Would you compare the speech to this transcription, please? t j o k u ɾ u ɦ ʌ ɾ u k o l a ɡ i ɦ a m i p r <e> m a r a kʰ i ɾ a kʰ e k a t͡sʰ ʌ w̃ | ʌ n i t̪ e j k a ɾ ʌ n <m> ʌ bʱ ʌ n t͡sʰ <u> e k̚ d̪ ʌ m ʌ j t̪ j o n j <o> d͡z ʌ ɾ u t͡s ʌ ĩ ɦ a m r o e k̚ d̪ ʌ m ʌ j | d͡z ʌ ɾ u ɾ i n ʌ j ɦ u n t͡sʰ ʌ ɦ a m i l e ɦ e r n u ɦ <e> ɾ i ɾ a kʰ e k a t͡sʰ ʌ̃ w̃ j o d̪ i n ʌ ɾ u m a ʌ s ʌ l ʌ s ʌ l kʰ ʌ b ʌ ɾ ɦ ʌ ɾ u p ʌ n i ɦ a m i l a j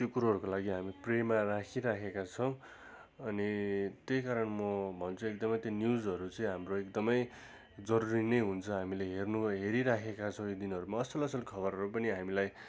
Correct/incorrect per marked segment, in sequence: correct, correct, correct, incorrect: u, correct

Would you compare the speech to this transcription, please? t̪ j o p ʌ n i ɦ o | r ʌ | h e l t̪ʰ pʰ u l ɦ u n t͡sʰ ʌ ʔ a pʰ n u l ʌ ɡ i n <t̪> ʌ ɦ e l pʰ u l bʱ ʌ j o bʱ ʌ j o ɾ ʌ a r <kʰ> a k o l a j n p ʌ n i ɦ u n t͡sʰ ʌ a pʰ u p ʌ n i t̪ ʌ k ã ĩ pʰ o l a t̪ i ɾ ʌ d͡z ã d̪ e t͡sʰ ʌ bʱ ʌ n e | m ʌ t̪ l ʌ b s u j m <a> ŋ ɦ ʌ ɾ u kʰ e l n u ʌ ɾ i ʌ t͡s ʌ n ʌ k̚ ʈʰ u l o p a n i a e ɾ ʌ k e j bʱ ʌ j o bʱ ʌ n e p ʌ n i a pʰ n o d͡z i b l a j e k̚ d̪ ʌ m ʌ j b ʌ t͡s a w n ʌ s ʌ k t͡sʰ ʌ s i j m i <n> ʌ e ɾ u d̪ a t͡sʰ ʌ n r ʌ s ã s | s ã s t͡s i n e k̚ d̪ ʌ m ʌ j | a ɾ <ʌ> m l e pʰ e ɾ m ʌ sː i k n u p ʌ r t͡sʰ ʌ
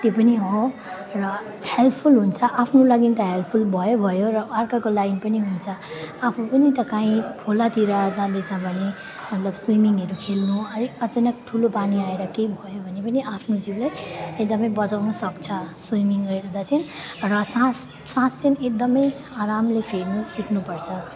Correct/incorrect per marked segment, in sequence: correct, incorrect: k, incorrect: i, incorrect: ŋ, incorrect: a

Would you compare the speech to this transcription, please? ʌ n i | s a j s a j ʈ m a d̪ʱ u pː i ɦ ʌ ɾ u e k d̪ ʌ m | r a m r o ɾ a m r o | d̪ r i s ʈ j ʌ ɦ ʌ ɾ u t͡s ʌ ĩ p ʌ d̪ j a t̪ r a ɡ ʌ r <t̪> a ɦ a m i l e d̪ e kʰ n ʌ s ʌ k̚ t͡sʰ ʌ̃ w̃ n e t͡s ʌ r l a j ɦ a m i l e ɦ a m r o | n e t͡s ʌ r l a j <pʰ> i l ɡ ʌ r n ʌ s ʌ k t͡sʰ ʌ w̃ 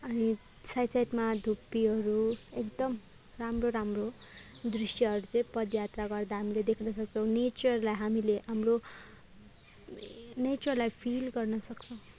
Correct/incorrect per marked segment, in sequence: incorrect: d̪, correct

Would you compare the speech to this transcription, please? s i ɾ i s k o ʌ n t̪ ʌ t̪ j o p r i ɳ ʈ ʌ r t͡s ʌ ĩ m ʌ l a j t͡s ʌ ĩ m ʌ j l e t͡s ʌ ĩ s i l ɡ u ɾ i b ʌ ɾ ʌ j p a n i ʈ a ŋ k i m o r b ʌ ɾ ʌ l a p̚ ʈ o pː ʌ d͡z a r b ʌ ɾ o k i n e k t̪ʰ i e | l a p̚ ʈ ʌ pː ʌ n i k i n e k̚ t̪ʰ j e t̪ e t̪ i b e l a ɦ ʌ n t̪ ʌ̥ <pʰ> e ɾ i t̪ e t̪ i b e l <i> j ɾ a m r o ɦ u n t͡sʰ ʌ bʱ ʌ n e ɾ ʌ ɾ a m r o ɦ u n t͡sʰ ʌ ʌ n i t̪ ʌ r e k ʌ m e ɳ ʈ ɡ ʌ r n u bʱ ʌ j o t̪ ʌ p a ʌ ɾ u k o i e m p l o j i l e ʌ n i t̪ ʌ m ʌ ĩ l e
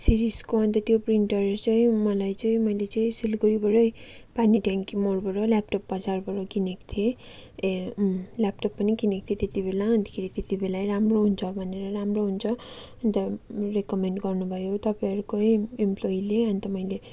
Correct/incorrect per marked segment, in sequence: incorrect: kʰ, incorrect: a

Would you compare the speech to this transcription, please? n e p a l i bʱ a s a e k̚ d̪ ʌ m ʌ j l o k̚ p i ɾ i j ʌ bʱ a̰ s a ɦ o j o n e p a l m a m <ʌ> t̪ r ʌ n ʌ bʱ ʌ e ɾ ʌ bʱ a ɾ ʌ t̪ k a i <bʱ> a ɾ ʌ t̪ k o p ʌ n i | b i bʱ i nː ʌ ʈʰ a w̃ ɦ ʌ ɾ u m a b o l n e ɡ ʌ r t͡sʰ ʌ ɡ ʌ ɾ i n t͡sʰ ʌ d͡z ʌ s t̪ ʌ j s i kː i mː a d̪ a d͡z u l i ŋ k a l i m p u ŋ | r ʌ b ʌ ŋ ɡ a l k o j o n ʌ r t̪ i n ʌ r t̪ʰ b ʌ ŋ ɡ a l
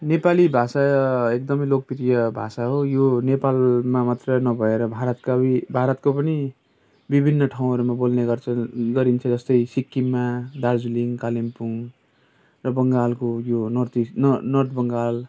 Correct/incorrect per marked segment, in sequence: incorrect: a, correct

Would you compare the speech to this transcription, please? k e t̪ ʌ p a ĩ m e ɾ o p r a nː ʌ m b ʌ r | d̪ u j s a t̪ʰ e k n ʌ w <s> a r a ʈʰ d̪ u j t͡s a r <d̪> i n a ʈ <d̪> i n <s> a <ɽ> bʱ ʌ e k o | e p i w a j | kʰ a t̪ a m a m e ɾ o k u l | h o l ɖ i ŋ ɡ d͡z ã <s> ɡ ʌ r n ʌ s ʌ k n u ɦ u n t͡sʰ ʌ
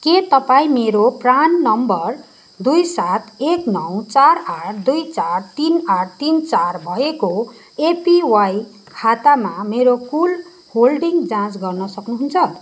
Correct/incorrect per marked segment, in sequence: incorrect: t͡s, incorrect: t̪, incorrect: t̪, incorrect: t͡s, incorrect: r, incorrect: t͡s

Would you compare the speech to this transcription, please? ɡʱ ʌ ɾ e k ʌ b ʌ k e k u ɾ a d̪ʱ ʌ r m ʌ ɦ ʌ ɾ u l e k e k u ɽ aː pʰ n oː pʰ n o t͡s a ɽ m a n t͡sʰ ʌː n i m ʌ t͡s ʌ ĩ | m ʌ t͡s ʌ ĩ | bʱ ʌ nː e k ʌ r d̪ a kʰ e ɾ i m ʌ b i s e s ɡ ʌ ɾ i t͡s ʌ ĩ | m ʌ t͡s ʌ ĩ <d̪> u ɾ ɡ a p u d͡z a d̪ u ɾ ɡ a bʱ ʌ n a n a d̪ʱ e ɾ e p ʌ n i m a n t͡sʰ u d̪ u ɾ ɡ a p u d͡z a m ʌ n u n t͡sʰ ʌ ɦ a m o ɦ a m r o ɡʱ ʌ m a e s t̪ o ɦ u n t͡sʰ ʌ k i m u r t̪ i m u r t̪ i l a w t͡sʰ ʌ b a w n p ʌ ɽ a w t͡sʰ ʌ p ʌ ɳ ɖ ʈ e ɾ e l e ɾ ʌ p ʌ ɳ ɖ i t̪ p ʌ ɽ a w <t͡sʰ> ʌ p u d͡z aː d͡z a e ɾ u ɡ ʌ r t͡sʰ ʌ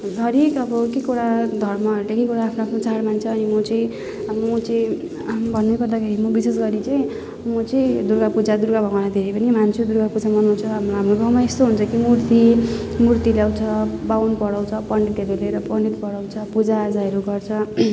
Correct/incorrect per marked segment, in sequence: correct, correct

